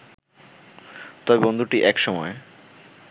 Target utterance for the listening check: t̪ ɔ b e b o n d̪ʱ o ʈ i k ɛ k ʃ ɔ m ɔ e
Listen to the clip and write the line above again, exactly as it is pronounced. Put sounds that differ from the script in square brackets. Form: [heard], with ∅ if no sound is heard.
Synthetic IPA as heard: t̪ ɔ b e b o n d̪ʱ [u] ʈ i [ʔ] ɛ k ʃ ɔ m ɔ e